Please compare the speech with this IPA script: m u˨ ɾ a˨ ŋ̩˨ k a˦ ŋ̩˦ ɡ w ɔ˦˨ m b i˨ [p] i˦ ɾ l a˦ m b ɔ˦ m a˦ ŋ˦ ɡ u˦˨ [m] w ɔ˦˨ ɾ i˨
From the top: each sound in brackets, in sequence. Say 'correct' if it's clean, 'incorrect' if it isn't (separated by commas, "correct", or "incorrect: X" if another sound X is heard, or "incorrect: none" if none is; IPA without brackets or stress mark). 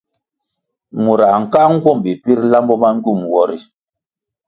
correct, correct